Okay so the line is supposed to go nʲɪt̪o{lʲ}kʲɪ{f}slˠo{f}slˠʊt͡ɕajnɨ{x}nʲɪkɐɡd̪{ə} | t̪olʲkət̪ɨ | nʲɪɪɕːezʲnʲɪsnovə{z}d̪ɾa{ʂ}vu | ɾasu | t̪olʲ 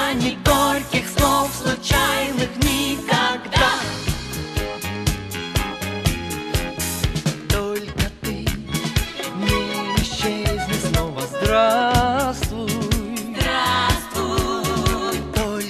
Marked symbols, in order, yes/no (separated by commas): yes, no, yes, yes, no, yes, no